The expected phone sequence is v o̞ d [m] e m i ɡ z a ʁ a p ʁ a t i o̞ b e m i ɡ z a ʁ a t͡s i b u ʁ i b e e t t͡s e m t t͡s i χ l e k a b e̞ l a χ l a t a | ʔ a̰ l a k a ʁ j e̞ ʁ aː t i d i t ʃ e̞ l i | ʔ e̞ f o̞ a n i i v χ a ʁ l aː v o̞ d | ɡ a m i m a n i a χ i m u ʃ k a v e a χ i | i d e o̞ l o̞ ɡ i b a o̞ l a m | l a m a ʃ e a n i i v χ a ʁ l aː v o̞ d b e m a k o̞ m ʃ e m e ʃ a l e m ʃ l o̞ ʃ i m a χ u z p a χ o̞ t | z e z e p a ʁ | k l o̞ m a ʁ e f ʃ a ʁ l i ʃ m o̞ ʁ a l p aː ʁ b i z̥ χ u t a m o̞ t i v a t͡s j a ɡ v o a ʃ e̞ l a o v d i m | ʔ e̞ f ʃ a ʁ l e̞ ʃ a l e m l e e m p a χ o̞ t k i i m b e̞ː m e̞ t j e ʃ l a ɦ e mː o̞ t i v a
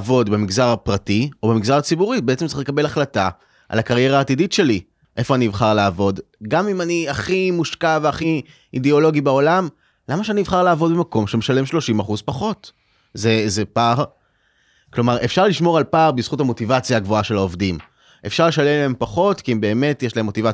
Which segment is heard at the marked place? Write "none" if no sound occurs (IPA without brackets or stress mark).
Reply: b